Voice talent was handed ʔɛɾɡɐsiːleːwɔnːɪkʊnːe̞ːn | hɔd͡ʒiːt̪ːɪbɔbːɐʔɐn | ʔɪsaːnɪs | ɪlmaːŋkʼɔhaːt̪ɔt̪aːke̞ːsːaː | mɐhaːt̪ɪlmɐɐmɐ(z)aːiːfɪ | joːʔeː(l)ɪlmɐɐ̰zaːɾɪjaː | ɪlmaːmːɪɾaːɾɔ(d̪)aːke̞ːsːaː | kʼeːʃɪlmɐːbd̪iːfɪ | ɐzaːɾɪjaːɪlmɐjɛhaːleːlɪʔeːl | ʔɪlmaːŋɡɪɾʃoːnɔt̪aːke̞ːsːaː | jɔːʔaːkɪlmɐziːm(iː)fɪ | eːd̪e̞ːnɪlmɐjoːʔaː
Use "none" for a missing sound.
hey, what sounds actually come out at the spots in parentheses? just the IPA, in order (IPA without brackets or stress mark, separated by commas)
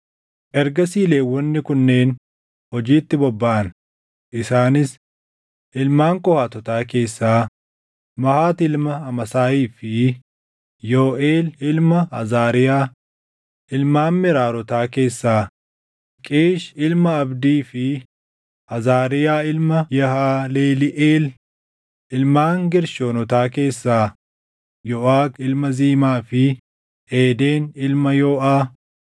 s, l, t̪, aː